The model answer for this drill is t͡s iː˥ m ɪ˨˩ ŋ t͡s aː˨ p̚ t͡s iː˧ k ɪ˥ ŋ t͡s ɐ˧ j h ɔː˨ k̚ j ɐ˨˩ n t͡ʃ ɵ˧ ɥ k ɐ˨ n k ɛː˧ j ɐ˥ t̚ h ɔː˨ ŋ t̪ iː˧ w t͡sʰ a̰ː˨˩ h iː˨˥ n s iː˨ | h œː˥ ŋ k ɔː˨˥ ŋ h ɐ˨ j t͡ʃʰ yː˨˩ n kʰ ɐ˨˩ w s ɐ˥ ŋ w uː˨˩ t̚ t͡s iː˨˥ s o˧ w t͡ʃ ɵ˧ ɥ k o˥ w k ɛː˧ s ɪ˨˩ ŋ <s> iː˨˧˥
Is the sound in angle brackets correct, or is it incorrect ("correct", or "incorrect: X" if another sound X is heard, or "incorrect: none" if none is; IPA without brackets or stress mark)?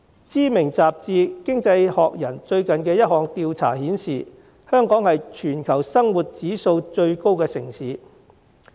correct